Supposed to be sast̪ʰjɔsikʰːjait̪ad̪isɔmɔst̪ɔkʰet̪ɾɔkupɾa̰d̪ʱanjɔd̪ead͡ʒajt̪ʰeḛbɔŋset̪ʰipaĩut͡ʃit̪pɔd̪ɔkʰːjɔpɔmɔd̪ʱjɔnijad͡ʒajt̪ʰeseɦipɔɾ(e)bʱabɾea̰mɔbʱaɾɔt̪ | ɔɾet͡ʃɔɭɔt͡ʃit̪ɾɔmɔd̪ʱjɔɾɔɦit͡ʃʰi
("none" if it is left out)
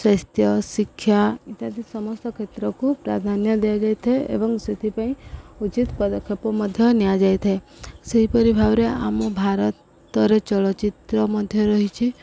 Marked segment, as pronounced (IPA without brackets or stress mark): i